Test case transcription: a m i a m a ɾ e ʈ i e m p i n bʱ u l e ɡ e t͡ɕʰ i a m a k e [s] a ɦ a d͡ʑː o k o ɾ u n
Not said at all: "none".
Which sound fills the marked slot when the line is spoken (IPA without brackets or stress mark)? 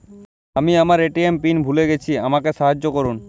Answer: ʃ